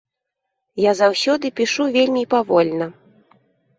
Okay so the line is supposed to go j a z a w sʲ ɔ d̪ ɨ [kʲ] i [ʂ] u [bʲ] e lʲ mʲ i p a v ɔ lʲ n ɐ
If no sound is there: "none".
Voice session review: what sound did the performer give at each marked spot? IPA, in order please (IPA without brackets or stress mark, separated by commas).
pʲ, ʂ, vʲ